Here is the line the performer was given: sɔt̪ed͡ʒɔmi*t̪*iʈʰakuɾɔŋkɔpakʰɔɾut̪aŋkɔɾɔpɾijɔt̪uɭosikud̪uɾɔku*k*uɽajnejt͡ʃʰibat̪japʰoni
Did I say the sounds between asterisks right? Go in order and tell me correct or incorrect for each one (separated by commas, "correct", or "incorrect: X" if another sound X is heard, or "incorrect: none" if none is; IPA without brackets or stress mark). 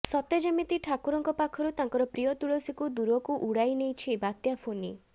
correct, incorrect: ʔ